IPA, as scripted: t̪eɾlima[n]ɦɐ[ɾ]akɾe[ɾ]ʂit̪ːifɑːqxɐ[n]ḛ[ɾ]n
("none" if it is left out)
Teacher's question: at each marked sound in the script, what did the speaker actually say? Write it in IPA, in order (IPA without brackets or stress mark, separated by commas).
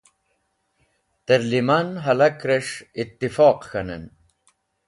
n, l, none, n, none